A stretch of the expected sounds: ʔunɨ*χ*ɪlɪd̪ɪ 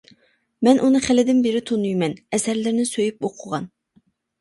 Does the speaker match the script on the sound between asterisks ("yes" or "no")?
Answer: yes